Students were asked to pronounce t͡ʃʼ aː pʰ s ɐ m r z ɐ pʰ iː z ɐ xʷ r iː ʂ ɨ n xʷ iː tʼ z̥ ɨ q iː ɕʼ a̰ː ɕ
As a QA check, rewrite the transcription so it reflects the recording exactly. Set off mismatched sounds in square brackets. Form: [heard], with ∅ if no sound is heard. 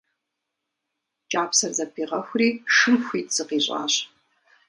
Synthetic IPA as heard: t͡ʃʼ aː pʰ s ɐ [∅] r z ɐ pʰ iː [ʁ] ɐ xʷ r iː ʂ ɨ [m] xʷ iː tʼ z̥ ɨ q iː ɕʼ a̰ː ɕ